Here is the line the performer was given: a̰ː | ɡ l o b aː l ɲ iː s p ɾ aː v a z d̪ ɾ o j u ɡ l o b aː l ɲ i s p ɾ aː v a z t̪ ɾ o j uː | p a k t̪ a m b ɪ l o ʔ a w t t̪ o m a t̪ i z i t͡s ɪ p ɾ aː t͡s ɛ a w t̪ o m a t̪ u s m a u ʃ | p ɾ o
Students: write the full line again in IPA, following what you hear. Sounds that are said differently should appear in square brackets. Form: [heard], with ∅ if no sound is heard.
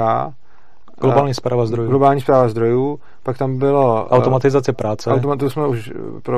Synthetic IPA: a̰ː | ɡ l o b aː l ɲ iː s p ɾ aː v a z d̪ ɾ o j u ɡ l o b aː l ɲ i s p ɾ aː v a z [d̪] ɾ o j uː | p a k t̪ a m b ɪ l o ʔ a w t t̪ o m a t̪ [ɪ] z [a] t͡s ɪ p ɾ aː t͡s ɛ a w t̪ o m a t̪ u s m [ɛ] u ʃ | p ɾ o